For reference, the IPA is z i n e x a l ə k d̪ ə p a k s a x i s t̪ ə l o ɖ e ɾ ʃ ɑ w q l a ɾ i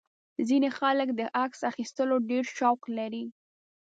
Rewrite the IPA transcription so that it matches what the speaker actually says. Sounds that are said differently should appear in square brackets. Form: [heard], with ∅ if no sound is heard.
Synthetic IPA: z i n e x a l ə k d̪ ə [ʔ] a k s a x i s t̪ ə l o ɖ e ɾ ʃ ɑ w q l a ɾ i